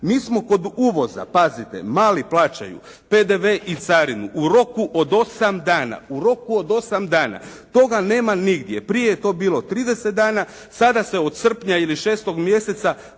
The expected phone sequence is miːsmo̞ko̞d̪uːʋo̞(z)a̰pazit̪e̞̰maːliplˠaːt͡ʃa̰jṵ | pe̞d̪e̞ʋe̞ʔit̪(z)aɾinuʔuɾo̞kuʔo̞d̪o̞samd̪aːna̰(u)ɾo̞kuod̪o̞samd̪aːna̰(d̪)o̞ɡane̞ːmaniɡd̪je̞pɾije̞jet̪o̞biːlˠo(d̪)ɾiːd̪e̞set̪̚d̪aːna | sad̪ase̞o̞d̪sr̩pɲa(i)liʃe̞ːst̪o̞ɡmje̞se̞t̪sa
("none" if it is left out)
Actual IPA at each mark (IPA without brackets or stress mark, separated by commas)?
z, s, u, t̪, t̪, i